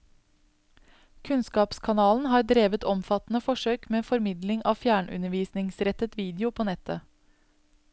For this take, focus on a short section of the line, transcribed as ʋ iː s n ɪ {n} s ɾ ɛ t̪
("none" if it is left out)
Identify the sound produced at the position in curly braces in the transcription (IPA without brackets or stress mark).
ŋ